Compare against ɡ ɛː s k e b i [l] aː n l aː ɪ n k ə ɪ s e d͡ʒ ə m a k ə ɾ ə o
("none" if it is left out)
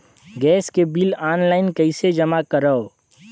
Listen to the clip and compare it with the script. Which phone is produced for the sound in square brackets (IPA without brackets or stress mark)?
l